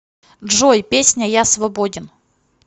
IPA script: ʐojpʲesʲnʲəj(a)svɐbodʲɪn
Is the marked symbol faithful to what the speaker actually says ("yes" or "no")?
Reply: yes